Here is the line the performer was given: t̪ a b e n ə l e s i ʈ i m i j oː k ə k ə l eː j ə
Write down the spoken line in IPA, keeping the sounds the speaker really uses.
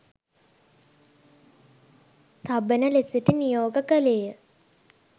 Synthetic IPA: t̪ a b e n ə l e s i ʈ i n i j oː ɡ ə k ə l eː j ə